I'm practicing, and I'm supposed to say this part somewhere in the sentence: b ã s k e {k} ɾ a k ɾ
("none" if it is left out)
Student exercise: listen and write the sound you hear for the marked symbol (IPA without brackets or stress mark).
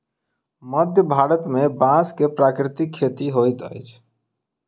p